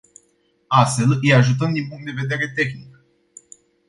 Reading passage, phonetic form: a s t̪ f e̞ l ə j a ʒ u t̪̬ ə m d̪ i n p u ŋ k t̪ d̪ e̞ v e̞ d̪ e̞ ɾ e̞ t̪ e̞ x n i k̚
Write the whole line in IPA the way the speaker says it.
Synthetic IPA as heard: a s t̪ f e̞ l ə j a ʒ u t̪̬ ə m d̪ i n p u ŋ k t̪ d̪ e̞ v e̞ d̪ e̞ ɾ e̞ t̪ e̞ x n i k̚